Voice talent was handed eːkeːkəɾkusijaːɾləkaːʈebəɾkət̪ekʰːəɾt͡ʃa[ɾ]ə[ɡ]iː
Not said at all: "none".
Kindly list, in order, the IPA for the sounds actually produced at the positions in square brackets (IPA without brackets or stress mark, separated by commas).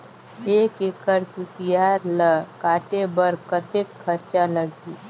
l, ɡ